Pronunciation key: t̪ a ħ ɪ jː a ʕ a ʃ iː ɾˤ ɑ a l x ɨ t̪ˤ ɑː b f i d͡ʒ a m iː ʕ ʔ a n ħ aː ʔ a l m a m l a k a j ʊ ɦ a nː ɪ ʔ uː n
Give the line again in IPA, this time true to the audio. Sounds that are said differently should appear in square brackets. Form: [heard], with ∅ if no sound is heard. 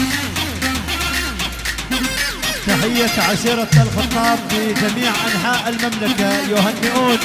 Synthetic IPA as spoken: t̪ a ħ ɪ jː a ʕ a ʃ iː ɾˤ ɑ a l x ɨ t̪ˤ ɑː b f i d͡ʒ a m iː ʕ ʔ a n ħ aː ʔ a l m a m l a k a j ʊ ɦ a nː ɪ ʔ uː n